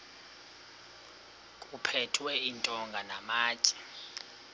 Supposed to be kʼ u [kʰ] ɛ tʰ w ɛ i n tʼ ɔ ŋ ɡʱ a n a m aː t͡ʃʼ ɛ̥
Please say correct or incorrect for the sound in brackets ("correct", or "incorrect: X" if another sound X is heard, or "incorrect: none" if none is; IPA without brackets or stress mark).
incorrect: pʰ